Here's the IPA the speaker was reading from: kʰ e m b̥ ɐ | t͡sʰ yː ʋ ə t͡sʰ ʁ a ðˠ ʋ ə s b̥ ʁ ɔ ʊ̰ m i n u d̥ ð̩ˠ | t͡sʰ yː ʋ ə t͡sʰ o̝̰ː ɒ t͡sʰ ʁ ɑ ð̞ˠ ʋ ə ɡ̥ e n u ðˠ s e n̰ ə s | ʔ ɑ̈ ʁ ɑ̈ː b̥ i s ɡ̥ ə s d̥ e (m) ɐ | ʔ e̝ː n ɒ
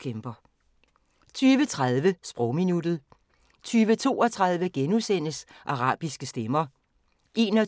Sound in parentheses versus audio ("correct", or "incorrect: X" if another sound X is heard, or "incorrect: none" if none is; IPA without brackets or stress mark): correct